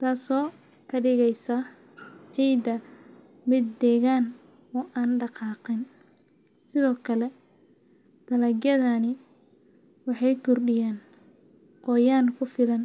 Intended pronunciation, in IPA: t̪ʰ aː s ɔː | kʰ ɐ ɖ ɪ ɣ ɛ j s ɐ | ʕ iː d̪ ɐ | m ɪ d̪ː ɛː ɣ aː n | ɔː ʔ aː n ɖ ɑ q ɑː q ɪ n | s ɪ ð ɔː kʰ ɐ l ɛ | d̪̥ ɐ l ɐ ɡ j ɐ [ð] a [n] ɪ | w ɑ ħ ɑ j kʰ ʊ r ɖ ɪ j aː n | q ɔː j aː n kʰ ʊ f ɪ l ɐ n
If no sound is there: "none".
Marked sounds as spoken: ð, n

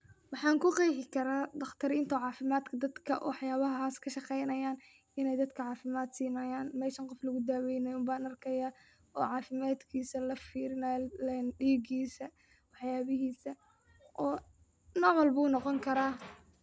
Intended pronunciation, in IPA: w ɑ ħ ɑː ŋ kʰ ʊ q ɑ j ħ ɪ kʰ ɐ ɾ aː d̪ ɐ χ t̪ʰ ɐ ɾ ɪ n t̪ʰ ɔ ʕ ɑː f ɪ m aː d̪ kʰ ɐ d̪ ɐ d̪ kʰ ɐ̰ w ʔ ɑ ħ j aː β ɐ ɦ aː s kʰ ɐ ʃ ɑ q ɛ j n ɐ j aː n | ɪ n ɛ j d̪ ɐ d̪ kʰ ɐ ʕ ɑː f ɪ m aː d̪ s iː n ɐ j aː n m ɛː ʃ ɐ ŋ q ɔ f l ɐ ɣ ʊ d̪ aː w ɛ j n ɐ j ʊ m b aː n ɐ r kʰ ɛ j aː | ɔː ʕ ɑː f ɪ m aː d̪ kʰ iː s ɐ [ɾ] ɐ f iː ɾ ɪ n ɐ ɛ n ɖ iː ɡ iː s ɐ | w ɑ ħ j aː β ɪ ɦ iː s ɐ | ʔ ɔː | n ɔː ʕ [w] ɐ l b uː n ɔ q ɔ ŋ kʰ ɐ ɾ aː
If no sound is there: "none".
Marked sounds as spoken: l, w

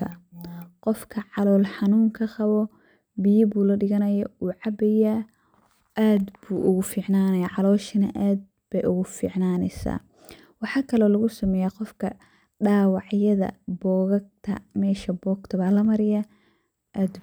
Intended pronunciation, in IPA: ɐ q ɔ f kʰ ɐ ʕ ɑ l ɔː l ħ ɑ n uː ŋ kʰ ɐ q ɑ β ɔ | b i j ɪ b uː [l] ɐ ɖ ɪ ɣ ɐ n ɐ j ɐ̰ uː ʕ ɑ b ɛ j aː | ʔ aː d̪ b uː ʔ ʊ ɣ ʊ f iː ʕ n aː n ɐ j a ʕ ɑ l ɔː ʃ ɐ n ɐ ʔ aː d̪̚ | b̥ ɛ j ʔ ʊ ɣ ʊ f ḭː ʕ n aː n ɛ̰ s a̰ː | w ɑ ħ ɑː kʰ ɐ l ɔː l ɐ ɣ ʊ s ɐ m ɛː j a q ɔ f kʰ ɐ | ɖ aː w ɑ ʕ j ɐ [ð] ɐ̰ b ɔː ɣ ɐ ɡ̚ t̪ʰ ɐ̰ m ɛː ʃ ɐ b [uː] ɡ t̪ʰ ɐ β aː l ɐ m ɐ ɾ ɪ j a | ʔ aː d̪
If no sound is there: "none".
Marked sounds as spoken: l, ð, ɔː

